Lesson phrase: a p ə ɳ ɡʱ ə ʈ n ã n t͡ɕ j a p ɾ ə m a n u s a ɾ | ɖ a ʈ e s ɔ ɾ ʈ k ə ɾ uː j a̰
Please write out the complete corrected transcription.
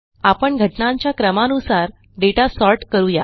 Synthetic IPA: a p ə ɳ ɡʱ ə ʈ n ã ɲ t͡ɕ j a k ɾ ə m a n u s a ɾ | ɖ e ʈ a s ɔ ɾ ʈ k ə ɾ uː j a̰